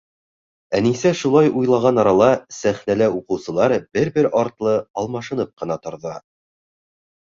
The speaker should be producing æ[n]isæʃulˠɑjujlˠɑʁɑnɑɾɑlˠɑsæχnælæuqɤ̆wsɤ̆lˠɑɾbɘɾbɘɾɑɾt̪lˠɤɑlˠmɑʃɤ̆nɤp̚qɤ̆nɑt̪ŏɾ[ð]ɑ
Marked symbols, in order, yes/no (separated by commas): yes, yes